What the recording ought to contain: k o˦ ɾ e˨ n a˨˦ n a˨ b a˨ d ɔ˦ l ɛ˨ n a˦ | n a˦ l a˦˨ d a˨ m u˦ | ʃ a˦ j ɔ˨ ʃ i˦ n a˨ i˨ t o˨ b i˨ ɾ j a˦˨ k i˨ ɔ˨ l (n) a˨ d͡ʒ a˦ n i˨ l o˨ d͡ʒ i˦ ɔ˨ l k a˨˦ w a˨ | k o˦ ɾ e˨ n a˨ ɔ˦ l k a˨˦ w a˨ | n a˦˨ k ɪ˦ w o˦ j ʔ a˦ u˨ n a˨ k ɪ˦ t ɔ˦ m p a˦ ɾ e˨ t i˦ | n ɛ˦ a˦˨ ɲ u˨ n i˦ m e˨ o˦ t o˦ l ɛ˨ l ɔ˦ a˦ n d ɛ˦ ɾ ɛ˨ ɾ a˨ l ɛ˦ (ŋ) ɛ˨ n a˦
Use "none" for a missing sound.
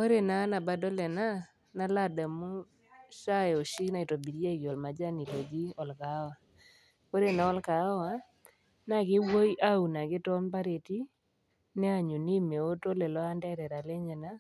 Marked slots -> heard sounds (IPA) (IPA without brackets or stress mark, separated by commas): m, ɲ